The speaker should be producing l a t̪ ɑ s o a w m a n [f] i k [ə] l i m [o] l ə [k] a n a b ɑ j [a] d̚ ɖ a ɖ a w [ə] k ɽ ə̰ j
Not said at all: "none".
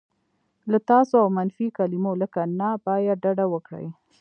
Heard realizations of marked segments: f, a, o, k, a, ə

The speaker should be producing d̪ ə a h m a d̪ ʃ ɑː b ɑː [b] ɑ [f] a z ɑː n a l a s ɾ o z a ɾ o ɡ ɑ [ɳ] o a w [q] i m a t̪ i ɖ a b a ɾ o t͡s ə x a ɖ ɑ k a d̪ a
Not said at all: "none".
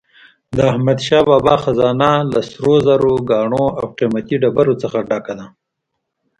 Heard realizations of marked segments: b, x, ɳ, q

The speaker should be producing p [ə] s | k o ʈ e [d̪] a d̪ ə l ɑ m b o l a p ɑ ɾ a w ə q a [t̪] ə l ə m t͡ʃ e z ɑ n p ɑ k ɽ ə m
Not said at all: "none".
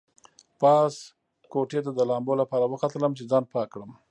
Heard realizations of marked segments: ɑ, t̪, t̪

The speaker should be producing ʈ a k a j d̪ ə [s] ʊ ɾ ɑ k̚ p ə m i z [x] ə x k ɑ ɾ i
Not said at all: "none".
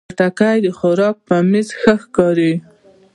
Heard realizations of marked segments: x, x

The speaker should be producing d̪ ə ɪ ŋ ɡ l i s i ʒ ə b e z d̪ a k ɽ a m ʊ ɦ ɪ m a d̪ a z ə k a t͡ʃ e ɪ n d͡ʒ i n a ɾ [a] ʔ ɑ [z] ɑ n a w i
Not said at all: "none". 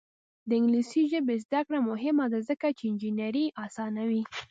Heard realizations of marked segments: i, s

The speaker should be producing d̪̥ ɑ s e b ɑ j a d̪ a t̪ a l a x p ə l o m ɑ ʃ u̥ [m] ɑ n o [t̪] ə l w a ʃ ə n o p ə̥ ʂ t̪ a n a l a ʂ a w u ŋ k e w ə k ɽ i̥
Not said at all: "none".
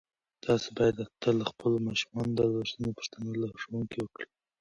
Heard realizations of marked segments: m, d̪

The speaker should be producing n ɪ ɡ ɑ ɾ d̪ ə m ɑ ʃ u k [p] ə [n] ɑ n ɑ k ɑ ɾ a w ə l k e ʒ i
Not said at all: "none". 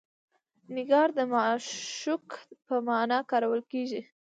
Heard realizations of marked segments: p, m

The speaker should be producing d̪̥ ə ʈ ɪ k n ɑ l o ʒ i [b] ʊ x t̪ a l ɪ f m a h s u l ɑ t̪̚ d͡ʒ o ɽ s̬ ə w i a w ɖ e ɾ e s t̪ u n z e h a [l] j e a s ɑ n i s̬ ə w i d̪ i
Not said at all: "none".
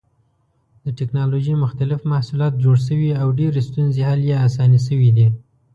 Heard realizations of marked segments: m, l

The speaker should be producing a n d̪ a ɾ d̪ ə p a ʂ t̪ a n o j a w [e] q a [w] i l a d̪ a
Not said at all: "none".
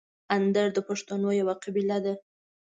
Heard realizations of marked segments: a, b

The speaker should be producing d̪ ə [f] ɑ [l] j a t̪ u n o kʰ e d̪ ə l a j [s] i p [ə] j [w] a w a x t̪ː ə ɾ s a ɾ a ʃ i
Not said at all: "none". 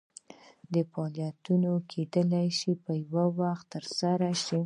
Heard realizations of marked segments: f, l, ʃ, ə, w

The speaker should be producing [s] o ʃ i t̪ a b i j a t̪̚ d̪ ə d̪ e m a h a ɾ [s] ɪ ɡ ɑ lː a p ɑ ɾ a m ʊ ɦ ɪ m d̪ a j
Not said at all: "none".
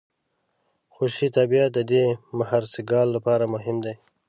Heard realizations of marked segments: x, s

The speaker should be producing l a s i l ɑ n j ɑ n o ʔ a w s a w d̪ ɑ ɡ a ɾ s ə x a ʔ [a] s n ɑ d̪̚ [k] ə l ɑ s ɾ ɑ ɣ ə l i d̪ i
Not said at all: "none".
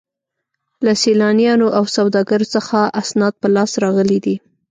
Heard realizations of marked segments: a, p

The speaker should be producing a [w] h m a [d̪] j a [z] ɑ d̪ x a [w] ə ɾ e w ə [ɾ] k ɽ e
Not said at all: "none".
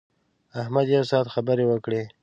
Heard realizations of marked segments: none, d̪, s, b, none

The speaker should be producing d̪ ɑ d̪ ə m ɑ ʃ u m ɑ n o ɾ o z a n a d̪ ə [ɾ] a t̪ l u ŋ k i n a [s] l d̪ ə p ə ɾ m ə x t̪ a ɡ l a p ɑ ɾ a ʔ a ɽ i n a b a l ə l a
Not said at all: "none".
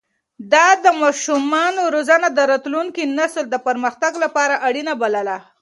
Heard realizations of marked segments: ɾ, s

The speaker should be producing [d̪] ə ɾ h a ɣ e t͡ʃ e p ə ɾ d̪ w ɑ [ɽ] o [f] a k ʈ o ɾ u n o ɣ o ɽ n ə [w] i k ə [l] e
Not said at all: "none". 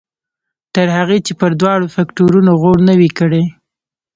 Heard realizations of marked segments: t̪, ɽ, f, w, ɽ

